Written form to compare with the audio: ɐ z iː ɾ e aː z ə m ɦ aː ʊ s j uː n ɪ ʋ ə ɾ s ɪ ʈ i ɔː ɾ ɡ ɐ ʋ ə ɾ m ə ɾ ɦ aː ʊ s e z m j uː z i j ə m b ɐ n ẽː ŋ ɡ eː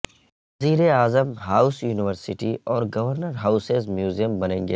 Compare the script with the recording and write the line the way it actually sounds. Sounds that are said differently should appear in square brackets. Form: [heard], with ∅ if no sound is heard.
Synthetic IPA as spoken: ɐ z iː ɾ e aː z ə m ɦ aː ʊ s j uː n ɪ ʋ ə ɾ s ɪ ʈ i ɔː ɾ ɡ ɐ ʋ ə ɾ [n] ə ɾ ɦ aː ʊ s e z m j uː z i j ə m b ɐ n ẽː ŋ ɡ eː